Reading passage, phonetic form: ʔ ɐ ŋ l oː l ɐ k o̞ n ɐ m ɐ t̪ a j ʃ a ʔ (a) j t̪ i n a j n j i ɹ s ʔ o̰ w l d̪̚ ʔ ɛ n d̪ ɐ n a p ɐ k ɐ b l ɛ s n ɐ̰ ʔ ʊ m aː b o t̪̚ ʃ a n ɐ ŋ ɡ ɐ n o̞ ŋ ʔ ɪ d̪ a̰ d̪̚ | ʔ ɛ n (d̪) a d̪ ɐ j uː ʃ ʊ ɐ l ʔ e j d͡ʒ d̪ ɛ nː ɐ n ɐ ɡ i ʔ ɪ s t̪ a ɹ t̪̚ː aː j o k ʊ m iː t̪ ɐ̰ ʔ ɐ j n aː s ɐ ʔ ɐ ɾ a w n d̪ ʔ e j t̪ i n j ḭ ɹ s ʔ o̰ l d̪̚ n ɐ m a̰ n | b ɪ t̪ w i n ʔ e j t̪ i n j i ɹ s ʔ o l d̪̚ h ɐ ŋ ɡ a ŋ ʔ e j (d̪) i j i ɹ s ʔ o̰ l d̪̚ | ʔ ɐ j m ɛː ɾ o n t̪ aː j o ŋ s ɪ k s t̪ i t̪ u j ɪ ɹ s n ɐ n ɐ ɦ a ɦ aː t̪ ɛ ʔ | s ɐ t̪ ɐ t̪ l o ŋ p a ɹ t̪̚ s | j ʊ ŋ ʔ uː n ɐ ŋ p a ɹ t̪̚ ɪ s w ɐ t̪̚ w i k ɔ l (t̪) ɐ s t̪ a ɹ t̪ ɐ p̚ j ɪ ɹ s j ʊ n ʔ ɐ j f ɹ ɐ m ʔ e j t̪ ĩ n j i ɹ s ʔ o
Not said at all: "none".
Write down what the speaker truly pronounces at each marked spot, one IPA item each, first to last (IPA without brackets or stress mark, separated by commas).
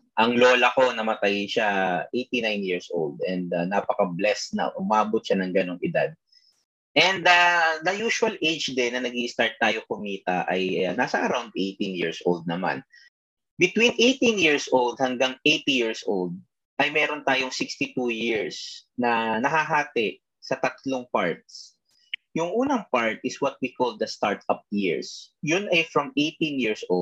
e, d̪, t̪, d̪